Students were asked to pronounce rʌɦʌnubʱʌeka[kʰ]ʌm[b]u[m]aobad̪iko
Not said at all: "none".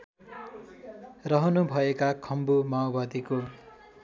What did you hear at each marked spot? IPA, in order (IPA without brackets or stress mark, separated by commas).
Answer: kʰ, b, m